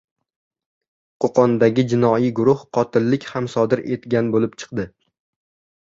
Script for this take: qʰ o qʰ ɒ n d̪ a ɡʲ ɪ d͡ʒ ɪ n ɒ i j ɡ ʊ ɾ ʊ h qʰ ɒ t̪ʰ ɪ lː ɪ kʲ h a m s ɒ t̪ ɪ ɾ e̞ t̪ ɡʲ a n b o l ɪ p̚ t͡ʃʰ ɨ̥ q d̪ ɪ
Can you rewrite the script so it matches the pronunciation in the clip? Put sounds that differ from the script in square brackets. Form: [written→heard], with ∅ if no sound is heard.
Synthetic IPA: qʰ o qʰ ɒ n d̪ a ɡʲ ɪ d͡ʒ ɪ n ɒ i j ɡ ʊ ɾ ʊ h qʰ ɒ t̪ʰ ɪ lː ɪ kʲ h a m s ɒ [t̪→d̪] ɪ ɾ e̞ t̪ ɡʲ a n b o l ɪ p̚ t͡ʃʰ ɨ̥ q d̪ ɪ

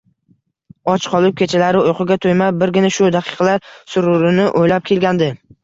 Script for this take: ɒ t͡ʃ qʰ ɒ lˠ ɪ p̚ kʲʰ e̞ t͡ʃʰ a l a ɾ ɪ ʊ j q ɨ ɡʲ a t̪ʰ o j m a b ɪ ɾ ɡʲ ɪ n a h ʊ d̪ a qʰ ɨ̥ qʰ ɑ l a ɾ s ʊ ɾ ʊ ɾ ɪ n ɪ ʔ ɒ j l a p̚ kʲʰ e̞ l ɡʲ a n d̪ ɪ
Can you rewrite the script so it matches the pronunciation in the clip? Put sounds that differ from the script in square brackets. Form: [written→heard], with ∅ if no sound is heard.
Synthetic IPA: ɒ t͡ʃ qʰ ɒ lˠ ɪ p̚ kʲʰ e̞ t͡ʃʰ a l a ɾ ɪ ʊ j q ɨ ɡʲ a t̪ʰ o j m a b ɪ ɾ ɡʲ ɪ n a [h→ʃ] ʊ d̪ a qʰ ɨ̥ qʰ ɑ l a ɾ s ʊ ɾ ʊ ɾ ɪ n ɪ ʔ [ɒ→o] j l a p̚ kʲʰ e̞ l ɡʲ a n d̪ ɪ

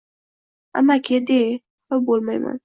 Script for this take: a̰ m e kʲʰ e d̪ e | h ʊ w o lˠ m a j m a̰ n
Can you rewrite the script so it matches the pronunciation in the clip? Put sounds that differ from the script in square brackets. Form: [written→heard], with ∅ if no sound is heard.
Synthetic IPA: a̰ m [e→a] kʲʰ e d̪ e | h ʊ [w→b] o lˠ m a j m a̰ n

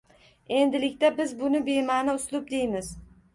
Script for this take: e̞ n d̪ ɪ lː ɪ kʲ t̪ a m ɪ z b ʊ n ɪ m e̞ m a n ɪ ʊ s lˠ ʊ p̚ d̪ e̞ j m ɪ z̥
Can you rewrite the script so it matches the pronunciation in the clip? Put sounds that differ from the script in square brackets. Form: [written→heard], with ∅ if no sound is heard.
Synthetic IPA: e̞ n d̪ ɪ [lː→l] ɪ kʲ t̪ a [m→b] ɪ z b ʊ n ɪ [m→b] e̞ m a n ɪ ʊ s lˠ ʊ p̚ d̪ e̞ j m ɪ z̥

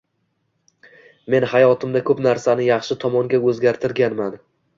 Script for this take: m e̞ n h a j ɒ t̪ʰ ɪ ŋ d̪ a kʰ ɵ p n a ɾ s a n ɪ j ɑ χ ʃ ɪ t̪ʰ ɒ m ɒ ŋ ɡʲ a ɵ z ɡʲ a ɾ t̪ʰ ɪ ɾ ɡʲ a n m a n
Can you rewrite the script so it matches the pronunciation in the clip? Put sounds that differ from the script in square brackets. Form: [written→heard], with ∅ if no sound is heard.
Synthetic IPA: m e̞ n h a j ɒ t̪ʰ ɪ [ŋ→m] d̪ a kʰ ɵ p n a ɾ s a n ɪ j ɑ χ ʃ ɪ t̪ʰ ɒ m ɒ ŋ ɡʲ a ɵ z ɡʲ a ɾ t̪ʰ ɪ ɾ ɡʲ a n m a n

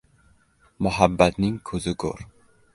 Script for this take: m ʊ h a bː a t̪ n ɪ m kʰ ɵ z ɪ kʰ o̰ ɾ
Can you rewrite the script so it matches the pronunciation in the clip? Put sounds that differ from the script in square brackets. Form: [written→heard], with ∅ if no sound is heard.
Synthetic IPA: m ʊ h a bː a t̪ n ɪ [m→ŋ] kʰ ɵ z ɪ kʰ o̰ ɾ

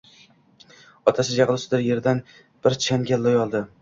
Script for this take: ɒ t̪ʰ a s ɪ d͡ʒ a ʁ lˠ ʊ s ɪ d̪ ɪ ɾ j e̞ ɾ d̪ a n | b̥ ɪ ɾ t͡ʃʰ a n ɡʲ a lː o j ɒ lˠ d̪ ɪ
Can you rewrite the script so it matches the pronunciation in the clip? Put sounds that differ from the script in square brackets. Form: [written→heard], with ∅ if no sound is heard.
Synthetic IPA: ɒ t̪ʰ a s ɪ d͡ʒ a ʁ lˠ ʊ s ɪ d̪ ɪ ɾ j e̞ ɾ d̪ a n | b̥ ɪ ɾ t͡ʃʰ a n ɡʲ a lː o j ɒ lˠ d̪ ɪ

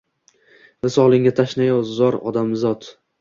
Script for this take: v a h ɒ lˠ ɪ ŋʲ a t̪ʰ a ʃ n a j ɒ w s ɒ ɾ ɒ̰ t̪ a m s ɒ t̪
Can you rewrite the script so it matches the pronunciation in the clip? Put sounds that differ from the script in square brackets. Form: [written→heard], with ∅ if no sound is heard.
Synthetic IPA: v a [h→s] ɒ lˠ ɪ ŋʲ a t̪ʰ a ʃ n a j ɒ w [s→z] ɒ ɾ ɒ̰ [t̪→d̪] a m [s→z] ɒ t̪

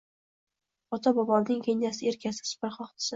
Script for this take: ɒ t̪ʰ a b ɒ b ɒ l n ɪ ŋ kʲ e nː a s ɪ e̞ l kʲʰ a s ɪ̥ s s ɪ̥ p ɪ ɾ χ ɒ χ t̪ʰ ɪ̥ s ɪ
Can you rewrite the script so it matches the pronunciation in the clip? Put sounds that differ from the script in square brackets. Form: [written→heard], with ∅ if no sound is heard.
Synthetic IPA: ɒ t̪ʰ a b ɒ b ɒ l n ɪ ŋ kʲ e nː a s ɪ e̞ [l→ɾ] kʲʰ a s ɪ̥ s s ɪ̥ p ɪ ɾ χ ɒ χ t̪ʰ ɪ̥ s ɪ

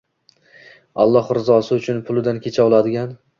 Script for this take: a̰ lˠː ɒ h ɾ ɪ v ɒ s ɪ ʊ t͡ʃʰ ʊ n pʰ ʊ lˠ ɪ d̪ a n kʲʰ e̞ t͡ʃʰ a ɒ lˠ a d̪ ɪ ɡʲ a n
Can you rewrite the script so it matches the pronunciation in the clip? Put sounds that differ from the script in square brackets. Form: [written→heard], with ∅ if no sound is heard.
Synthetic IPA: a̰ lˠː ɒ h ɾ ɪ [v→z] ɒ s ɪ ʊ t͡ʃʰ ʊ n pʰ ʊ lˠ ɪ d̪ a n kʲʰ e̞ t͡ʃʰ a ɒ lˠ a d̪ ɪ ɡʲ a n

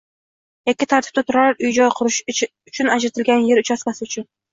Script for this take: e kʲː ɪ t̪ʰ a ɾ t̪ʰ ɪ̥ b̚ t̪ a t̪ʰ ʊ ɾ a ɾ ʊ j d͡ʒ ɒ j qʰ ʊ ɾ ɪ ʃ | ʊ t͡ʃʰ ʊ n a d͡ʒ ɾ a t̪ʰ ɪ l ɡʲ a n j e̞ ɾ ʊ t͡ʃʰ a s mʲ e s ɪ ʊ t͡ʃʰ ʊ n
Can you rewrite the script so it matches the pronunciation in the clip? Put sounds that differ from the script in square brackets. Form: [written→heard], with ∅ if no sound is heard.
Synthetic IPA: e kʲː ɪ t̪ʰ a ɾ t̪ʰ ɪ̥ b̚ t̪ a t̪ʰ ʊ ɾ a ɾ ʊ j d͡ʒ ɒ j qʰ ʊ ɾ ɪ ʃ | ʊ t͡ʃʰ ʊ n a d͡ʒ ɾ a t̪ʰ ɪ l ɡʲ a n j e̞ ɾ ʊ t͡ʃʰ a s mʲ [e→a] s ɪ ʊ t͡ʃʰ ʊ n

